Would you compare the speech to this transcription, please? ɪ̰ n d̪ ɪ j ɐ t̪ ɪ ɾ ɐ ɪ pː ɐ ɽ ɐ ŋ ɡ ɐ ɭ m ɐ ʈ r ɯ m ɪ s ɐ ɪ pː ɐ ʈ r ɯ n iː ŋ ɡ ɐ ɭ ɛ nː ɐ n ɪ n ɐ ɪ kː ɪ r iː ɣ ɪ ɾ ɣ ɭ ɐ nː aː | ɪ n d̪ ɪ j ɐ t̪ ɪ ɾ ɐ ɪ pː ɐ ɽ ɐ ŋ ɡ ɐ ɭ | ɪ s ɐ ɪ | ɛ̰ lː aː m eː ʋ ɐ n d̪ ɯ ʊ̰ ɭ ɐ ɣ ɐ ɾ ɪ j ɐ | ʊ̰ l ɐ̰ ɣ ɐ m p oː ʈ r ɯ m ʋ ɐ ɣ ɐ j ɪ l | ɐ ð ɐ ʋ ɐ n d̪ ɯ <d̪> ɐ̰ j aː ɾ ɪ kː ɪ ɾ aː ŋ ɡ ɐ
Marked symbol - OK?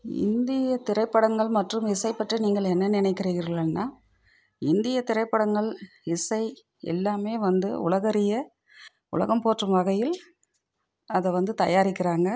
no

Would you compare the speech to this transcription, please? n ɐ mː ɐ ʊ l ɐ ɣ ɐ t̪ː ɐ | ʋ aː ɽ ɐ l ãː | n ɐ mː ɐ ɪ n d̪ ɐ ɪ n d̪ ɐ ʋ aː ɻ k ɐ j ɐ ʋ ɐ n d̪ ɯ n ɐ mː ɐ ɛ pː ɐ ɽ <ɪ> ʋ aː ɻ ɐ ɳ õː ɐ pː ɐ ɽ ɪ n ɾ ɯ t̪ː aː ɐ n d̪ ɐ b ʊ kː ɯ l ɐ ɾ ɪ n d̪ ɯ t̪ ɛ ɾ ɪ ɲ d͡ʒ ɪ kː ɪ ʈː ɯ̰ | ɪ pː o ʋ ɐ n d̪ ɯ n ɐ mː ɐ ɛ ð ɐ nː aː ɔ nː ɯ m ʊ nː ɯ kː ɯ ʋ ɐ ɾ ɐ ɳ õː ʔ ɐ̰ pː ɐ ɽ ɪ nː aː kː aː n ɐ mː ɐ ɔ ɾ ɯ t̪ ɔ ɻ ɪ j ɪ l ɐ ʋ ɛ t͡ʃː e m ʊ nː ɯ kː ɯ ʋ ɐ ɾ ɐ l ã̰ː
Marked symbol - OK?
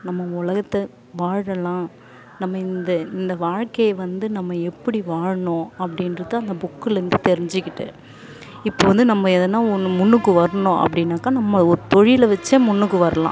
no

